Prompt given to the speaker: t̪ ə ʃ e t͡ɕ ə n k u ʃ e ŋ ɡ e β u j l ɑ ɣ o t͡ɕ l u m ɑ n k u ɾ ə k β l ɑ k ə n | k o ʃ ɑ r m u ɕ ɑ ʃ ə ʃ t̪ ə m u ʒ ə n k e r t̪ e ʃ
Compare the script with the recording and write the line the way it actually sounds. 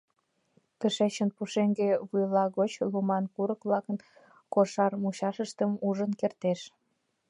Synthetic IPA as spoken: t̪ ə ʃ e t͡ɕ ə n p u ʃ e ŋ ɡ e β u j l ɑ ɣ o t͡ɕ l u m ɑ n k u ɾ ə k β l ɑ k ə n | k o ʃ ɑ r m u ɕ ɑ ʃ ə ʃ t̪ ə m u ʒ ə n k e r t̪ e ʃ

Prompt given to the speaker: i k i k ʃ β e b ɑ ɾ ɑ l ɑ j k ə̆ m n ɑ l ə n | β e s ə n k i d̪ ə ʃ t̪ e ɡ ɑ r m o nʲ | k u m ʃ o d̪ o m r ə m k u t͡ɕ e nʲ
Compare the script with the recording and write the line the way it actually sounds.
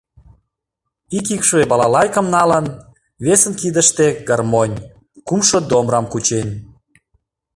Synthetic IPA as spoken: i k i k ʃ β e b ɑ l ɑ l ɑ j k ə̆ m n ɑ l ə n | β e s ə n k i d̪ ə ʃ t̪ e ɡ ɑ r m o nʲ | k u m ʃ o d̪ o m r ɑ m k u t͡ɕ e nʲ

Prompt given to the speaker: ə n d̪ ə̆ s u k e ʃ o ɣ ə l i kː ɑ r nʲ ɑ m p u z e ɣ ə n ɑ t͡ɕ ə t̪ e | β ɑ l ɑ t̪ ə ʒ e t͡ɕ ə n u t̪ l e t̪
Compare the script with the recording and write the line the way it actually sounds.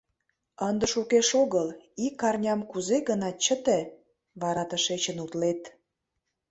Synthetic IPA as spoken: ə n d̪ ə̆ ʃ u k e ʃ o ɣ ə l i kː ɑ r nʲ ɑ m k u z e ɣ ə n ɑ t͡ɕ ə t̪ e | β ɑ ɾ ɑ t̪ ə ʃ e t͡ɕ ə n u t̪ l e t̪

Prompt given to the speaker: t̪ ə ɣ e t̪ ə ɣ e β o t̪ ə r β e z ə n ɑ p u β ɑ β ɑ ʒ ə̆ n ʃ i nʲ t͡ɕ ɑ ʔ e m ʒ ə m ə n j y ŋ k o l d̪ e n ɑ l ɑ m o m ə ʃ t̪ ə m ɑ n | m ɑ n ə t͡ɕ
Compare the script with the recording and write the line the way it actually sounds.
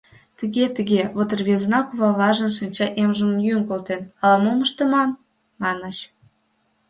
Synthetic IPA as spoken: t̪ ə ɣ e t̪ ə ɣ e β o t̪ ə r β e z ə n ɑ k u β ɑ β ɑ ʒ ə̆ n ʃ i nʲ t͡ɕ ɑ ʔ e m ʒ ə m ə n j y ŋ k o l t̪ e n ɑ l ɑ m o m ə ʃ t̪ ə m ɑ n | m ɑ n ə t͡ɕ

